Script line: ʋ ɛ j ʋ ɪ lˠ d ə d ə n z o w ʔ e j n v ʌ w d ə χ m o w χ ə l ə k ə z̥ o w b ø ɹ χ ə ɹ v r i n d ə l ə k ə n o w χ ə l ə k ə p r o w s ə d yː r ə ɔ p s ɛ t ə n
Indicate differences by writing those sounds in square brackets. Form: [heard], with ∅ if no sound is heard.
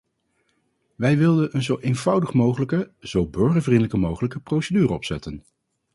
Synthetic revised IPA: ʋ ɛ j ʋ ɪ lˠ d ə [n] ə n z o w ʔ e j n v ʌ w d ə χ m o w χ ə l ə k ə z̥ o w b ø ɹ χ ə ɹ v r i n d ə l ə k ə [m] o w χ ə l ə k ə p r o w s ə d yː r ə ɔ p s ɛ t ə n

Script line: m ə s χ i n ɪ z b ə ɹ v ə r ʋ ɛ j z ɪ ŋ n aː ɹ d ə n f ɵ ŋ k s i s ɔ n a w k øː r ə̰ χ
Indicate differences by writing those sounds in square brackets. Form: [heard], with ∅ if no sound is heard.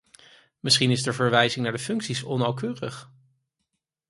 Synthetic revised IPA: m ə s χ i n ɪ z [d] ə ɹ v ə [ɹ] ʋ ɛ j z ɪ ŋ n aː ɹ d ə [∅] f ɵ ŋ k s i s ɔ n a w k øː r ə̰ χ

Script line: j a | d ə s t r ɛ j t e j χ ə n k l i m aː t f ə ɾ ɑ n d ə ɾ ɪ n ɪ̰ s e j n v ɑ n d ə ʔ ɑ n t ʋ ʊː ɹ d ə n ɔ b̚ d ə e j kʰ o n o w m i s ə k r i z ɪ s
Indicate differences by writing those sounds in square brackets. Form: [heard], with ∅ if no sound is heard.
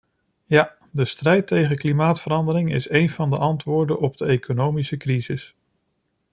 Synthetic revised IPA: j a | d ə s t r ɛ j t e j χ ə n k l i m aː t f ə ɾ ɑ n d ə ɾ ɪ [ŋ] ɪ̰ s e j n v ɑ n d ə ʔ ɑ n t ʋ ʊː ɹ d ə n ɔ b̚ d ə e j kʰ o n o w m i s ə k r i z ɪ s

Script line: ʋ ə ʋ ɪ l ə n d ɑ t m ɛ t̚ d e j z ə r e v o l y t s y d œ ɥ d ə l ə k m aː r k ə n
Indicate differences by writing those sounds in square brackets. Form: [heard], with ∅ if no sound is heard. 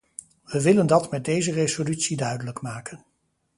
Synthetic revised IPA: ʋ ə ʋ ɪ l ə n d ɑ t m ɛ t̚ d e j z ə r e [z] o l y t s [i] d œ ɥ d ə l ə k m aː [∅] k ə n

